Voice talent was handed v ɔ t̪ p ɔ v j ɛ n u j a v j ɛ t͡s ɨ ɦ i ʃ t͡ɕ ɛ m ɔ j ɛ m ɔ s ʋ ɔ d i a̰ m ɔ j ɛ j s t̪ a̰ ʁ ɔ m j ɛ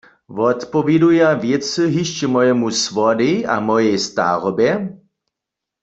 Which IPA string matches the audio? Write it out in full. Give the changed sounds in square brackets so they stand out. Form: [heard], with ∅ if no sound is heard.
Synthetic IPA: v ɔ t̪ p ɔ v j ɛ [d] u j a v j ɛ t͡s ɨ ɦ i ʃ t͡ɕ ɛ m ɔ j ɛ m [u] s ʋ ɔ d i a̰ m ɔ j ɛ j s t̪ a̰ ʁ ɔ [b] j ɛ